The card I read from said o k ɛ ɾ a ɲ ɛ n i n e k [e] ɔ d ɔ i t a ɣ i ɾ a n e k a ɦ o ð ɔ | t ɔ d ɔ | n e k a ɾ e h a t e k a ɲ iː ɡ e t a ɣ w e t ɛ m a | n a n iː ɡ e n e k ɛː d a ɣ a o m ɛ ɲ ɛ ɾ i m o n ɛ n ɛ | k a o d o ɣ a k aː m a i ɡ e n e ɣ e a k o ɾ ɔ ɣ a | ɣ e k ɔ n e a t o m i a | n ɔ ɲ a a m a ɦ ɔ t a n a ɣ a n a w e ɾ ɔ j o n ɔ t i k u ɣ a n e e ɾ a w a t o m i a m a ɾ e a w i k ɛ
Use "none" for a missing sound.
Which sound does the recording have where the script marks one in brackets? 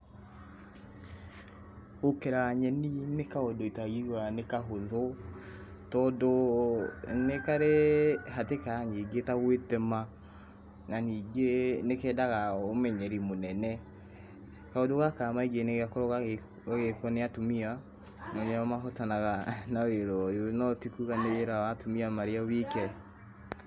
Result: a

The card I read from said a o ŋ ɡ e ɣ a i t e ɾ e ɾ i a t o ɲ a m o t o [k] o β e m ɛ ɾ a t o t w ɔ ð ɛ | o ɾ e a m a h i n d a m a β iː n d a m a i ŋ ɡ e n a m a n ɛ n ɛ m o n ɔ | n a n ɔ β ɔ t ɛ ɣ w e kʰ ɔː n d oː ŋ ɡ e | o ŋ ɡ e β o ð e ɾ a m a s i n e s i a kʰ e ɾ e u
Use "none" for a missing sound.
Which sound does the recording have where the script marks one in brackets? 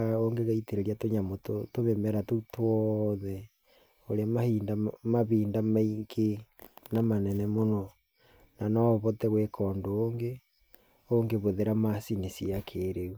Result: t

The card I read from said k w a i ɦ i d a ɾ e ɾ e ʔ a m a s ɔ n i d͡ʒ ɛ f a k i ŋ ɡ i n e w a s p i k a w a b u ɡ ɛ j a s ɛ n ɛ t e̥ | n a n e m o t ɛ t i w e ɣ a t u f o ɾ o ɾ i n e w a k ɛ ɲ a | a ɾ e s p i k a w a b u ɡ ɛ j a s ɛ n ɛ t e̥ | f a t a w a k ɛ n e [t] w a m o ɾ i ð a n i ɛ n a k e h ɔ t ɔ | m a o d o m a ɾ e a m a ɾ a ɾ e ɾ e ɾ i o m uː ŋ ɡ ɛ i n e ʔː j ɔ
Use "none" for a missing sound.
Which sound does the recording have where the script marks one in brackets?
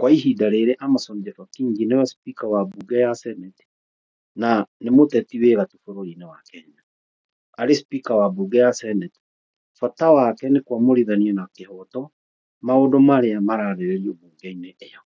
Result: k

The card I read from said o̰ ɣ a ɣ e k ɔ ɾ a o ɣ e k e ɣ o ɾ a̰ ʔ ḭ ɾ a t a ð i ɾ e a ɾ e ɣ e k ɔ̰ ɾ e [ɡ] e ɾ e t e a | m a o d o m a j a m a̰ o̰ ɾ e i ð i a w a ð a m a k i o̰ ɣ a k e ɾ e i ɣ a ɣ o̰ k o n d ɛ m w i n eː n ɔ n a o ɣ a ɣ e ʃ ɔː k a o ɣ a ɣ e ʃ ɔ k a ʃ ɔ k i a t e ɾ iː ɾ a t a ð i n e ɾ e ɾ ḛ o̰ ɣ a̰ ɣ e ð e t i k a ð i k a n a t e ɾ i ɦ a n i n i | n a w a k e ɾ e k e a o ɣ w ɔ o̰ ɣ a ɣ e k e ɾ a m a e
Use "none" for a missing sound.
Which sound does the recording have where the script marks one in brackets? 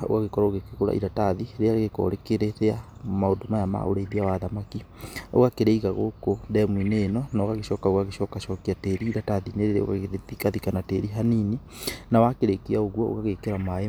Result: k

